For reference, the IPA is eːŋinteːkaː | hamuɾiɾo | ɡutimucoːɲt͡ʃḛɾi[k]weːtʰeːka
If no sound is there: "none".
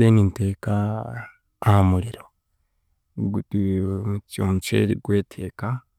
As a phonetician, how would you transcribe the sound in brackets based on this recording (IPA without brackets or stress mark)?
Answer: ɡ